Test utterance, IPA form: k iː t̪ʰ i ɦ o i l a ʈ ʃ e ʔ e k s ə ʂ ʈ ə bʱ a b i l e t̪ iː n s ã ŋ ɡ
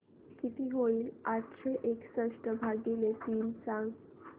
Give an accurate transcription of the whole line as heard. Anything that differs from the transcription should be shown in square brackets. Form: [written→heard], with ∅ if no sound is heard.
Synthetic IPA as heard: k [iː→i] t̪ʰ i ɦ o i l a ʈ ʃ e ʔ e k s ə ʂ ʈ ə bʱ a [b→ɡ] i l e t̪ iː n s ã ŋ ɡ

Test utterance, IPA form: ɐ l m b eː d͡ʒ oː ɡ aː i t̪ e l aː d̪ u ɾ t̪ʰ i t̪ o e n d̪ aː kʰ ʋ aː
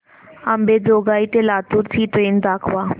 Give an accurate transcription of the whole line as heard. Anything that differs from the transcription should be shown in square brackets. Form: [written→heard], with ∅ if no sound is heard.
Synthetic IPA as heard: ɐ [l→∅] m b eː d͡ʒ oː ɡ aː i t̪ e l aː [d̪→t̪] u ɾ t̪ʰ i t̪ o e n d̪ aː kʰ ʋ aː

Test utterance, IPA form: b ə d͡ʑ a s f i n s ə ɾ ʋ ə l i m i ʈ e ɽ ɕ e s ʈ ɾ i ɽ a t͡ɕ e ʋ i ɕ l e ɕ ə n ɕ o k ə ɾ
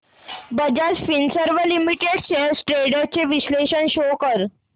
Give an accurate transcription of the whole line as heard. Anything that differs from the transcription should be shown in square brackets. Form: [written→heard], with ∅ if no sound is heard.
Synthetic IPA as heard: b ə d͡ʑ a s f i n s ə ɾ ʋ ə l i m i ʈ e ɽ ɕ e s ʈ ɾ [i→e] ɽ a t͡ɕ e ʋ i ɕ l e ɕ ə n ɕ o k ə ɾ

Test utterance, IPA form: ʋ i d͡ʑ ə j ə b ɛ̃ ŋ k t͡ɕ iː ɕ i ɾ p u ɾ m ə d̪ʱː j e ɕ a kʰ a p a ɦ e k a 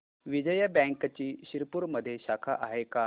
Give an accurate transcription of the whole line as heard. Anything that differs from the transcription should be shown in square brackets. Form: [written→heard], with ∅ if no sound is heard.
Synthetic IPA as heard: ʋ i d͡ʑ ə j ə b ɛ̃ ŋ k t͡ɕ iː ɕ i ɾ p u ɾ m ə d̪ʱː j e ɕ a kʰ a [p→ʔ] a ɦ e k a

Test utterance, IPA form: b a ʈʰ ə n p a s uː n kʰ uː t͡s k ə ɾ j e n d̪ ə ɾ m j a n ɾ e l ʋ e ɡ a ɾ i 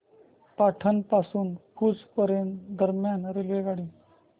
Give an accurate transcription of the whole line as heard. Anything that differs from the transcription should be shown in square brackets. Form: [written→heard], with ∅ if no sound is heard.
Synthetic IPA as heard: [b→p] a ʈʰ ə n p a s uː n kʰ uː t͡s [k→p] ə ɾ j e n d̪ ə ɾ m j a n ɾ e l ʋ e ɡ a [ɾ→ɽ] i

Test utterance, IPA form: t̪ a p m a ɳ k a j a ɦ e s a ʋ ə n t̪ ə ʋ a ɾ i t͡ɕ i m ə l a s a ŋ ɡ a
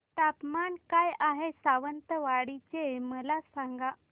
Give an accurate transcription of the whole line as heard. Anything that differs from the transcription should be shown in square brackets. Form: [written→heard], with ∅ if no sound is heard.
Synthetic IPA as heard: t̪ a p m a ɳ k a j a ɦ e s a ʋ ə n t̪ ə ʋ a [ɾ→ɽ] i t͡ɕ [i→e] m ə l a s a ŋ ɡ a

